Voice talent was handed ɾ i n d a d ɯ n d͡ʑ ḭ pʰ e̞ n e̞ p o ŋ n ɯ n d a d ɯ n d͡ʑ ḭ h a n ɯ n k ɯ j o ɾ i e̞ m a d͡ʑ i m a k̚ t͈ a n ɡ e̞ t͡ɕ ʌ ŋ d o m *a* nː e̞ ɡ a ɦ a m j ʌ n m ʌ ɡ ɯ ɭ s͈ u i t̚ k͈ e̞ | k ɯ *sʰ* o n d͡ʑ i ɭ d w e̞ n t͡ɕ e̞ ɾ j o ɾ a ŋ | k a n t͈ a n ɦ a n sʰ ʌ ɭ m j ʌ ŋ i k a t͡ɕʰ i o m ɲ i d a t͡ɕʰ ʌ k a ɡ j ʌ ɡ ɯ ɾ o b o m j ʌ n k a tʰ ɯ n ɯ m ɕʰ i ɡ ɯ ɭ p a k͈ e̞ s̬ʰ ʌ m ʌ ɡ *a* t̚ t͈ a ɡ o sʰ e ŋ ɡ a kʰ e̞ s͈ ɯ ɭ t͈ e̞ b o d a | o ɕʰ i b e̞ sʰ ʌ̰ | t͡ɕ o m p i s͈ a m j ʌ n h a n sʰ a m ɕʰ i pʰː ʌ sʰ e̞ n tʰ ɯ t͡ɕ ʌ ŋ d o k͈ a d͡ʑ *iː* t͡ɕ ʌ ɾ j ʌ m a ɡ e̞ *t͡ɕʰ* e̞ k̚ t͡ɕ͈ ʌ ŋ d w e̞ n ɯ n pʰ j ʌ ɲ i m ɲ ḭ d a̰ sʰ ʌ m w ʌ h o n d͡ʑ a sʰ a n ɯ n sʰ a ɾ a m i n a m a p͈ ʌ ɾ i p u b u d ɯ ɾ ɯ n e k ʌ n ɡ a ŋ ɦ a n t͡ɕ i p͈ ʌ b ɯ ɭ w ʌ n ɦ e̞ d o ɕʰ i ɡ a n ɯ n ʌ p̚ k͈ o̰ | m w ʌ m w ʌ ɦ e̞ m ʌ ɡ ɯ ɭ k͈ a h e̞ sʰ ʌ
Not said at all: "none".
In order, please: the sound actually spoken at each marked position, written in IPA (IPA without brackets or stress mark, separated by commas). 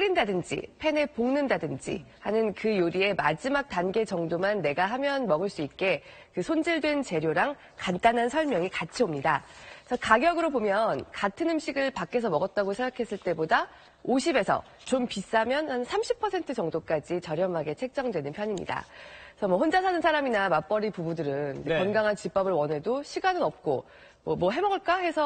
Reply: a, sʰ, ʌ, i, t͡ɕʰ